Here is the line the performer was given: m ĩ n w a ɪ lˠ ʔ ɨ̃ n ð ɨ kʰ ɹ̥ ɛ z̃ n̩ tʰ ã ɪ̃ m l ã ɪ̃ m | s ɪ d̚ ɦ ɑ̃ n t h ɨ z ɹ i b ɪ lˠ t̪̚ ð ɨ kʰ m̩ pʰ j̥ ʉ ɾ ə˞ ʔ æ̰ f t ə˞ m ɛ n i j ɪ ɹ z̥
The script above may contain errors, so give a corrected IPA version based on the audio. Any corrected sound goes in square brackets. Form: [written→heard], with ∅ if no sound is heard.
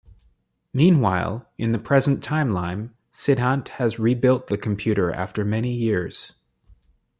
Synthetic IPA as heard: m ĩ n w a ɪ lˠ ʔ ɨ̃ n ð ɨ [kʰ→pʰ] ɹ̥ ɛ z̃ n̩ tʰ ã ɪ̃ m l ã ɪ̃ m | s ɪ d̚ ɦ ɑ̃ n t h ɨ z ɹ i b ɪ lˠ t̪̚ ð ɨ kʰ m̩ pʰ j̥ ʉ ɾ ə˞ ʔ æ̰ f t ə˞ m ɛ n i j ɪ ɹ z̥

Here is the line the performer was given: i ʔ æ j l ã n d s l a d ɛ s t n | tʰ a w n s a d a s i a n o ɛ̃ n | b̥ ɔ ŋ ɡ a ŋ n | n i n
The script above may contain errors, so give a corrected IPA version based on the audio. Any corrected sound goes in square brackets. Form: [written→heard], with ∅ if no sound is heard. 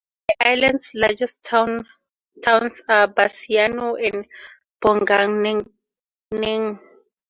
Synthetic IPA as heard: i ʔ [æ→a] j l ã n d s l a [d→d͡ʒ] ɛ s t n | tʰ a w n s a [d→b] a s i a n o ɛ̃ n | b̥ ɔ ŋ ɡ a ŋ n | n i [n→ŋ]

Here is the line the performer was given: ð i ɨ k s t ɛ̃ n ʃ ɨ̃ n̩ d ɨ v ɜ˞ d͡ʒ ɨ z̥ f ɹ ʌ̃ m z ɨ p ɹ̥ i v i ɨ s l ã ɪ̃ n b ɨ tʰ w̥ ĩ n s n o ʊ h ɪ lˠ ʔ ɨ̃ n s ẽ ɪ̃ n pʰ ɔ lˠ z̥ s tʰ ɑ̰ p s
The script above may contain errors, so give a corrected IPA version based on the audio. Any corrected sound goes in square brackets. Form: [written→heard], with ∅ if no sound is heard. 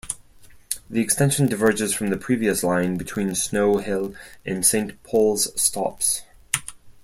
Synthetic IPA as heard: ð i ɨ k s t ɛ̃ n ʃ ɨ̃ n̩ d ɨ v ɜ˞ d͡ʒ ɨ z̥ f ɹ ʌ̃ m [z→ð] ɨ [p→pʰ] ɹ̥ i v i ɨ s l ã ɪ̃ n b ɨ tʰ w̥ ĩ n s n o ʊ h ɪ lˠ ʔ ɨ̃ n s ẽ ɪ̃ n pʰ ɔ lˠ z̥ s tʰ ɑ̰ p s

